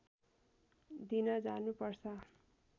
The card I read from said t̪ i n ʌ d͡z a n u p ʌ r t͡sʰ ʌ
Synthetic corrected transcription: d̪ i n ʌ d͡z a n u p ʌ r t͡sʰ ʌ